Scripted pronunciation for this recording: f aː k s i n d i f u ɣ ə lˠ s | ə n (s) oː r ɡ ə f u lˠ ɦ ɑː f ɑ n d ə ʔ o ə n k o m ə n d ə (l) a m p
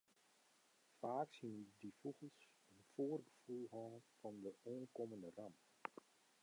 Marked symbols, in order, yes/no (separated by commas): no, no